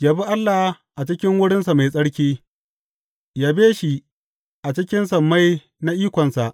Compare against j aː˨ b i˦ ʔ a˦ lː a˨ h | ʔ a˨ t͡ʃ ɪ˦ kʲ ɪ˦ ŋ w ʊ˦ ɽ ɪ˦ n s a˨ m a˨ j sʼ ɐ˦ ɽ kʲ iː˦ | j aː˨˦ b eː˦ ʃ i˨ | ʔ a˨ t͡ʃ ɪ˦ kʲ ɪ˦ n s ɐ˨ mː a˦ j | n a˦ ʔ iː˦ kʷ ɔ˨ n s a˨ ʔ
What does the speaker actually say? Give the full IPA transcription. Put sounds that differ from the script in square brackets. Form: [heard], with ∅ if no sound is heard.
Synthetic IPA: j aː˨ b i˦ ʔ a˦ lː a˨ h | ʔ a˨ t͡ʃ ɪ˦ kʲ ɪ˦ ŋ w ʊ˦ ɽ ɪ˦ n s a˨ m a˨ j sʼ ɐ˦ ɽ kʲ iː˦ | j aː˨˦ b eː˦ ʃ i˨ | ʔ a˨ t͡ʃ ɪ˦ kʲ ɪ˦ n s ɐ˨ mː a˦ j | n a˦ ʔ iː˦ kʷ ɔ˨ n s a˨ ʔ